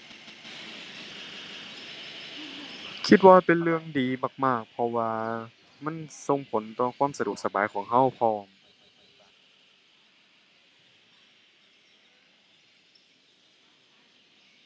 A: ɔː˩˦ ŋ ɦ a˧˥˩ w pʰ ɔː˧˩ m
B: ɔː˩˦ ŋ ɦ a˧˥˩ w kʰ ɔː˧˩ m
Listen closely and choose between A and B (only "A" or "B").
A